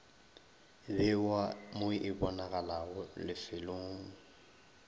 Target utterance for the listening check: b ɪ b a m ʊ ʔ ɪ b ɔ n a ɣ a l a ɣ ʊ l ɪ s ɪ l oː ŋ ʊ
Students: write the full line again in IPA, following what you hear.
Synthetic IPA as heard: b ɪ w a m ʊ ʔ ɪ b ɔ n a ɣ a l a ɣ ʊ l ɪ f ɪ l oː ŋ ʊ